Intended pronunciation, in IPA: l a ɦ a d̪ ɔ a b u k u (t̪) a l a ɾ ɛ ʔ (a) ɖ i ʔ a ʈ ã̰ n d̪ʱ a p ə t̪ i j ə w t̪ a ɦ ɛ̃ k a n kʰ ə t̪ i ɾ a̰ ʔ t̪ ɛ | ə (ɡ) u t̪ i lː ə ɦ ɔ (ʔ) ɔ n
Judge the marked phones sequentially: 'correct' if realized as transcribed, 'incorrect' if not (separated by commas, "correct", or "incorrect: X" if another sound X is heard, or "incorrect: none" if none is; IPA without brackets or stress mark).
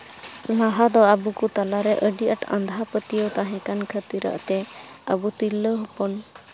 correct, incorrect: ə, incorrect: b, incorrect: p